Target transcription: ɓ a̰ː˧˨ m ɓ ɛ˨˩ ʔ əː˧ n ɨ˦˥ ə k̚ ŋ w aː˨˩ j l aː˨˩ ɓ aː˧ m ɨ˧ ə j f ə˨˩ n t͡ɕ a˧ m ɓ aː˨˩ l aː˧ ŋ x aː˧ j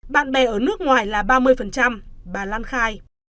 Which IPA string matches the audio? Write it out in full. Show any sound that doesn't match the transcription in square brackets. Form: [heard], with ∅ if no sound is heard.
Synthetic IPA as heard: ɓ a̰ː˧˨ [n] ɓ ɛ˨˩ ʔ [əː˧˩] n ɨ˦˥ ə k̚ ŋ w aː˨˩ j l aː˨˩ ɓ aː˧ m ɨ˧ ə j f ə˨˩ n t͡ɕ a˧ m ɓ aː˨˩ l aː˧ [n] x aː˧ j